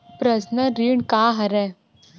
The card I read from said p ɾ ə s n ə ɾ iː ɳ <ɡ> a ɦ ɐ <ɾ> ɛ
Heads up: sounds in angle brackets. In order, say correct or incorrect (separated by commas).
incorrect, correct